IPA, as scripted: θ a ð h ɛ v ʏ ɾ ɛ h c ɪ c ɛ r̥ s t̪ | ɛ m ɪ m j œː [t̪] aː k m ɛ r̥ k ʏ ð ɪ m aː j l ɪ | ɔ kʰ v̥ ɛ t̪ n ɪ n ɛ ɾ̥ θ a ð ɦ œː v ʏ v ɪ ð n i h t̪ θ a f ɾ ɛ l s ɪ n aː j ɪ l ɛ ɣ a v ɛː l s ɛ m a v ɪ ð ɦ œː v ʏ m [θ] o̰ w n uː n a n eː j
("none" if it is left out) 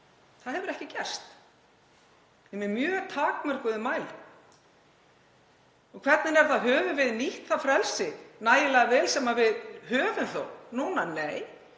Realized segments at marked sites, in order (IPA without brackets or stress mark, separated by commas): t̪ʰ, θ